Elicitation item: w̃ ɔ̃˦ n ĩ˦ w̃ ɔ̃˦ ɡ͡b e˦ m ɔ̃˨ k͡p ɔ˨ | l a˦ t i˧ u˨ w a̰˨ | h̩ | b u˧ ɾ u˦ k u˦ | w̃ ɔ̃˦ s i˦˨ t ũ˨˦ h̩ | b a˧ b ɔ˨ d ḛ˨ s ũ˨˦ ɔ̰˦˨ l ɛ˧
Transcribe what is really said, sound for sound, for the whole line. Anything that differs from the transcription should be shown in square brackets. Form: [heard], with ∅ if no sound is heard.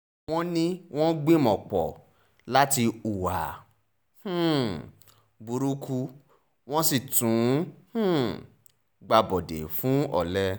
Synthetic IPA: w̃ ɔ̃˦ n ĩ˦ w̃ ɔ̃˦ ɡ͡b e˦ m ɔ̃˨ k͡p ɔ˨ | l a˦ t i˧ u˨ w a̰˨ | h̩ | b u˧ ɾ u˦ k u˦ | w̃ ɔ̃˦ s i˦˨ t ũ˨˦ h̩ | [ɡ͡b] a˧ b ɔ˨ d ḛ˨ [f] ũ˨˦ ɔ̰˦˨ l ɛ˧